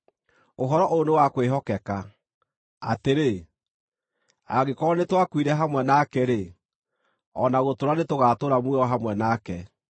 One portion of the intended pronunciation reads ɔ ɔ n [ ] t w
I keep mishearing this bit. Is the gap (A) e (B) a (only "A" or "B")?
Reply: A